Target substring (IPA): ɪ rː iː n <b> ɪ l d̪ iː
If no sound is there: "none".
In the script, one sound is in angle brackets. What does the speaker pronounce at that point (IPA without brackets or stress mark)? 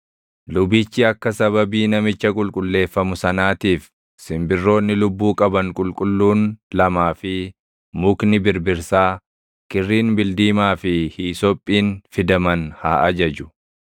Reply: b